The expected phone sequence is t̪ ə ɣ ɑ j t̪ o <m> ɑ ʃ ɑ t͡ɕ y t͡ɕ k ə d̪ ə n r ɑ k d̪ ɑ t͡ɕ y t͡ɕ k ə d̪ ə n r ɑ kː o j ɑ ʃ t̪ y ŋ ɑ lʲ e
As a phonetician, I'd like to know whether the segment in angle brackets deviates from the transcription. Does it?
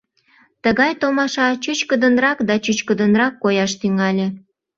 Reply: no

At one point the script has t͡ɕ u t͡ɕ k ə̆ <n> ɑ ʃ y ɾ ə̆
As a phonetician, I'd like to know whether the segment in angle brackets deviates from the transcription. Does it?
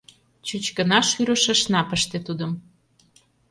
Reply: no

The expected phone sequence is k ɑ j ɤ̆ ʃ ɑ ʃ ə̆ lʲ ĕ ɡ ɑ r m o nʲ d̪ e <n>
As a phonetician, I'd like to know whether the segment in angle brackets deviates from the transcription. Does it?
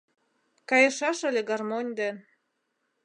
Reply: no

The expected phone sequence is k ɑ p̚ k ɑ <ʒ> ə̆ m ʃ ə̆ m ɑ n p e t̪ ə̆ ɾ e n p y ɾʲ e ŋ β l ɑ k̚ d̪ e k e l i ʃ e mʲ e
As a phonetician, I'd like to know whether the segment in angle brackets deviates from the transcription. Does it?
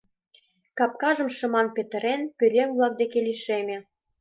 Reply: no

